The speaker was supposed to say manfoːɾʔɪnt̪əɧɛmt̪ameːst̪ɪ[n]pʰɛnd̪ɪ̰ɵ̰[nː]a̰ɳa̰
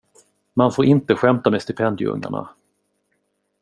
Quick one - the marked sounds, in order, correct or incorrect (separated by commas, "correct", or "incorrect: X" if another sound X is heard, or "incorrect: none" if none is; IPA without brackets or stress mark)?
incorrect: none, incorrect: ŋː